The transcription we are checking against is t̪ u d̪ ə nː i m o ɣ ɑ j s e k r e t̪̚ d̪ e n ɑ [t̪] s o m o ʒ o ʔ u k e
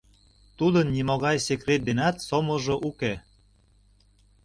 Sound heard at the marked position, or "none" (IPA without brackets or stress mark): t̪